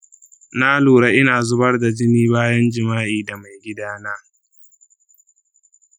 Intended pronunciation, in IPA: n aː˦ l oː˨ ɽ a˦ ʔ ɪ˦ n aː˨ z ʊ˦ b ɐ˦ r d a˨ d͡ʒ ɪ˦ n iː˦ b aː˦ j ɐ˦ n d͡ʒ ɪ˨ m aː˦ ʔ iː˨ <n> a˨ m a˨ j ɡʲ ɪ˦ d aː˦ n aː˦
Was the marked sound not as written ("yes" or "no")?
yes